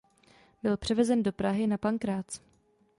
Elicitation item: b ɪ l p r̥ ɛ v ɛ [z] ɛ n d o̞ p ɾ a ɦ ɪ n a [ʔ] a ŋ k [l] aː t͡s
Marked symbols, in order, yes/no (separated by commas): yes, no, no